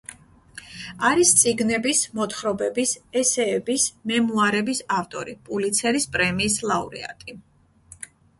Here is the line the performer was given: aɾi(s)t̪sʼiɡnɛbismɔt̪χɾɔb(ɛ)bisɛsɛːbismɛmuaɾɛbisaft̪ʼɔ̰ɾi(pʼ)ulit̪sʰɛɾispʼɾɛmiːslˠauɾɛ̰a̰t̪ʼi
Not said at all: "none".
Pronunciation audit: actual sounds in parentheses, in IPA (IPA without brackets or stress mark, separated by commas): s, ɛ, pʼ